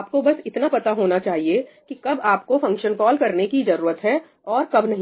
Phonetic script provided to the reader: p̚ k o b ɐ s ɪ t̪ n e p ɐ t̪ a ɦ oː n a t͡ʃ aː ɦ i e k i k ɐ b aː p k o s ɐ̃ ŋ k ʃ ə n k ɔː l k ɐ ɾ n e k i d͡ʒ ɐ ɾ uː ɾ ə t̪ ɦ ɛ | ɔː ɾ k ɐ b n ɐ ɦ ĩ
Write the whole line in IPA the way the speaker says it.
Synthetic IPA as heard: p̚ k o b ɐ s ɪ t̪ n a p ɐ t̪ a ɦ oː n a t͡ʃ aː ɦ i e k i k ɐ b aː p k o f ɐ̃ ŋ k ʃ ə n k ɔː l k ɐ ɾ n e k i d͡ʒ ɐ ɾ uː ɾ ə t̪ ɦ ɛ | ɔː ɾ k ɐ b n ɐ ɦ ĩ